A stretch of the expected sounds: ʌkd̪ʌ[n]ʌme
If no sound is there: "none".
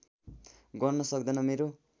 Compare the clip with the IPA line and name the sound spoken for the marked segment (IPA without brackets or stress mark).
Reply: n